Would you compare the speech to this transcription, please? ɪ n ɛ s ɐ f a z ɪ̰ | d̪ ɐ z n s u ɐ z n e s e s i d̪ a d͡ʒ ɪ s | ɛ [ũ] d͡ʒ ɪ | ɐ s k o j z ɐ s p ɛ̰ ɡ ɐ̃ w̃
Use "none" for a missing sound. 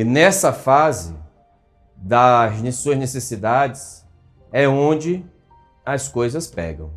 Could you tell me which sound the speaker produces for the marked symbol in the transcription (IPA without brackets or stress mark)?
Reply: õ